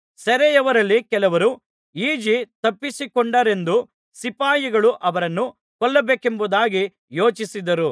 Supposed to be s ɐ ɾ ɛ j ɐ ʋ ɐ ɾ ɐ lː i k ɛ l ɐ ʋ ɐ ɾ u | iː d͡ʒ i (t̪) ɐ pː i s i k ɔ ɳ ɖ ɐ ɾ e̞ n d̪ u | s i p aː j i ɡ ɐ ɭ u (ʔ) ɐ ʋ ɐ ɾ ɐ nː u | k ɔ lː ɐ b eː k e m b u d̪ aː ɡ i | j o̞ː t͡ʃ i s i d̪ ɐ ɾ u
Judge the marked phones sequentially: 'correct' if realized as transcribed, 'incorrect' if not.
correct, correct

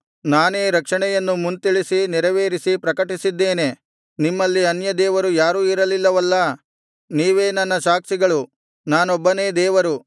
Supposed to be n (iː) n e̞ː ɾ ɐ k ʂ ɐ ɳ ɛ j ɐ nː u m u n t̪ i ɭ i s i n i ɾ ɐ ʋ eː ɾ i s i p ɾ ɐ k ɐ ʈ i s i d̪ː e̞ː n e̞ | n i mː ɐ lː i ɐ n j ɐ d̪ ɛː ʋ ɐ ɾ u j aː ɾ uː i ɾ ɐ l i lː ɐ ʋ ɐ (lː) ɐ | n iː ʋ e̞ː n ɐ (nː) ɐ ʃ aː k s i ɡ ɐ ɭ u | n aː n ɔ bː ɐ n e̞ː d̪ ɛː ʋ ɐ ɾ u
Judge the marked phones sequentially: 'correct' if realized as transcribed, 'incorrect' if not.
incorrect: aː, correct, correct

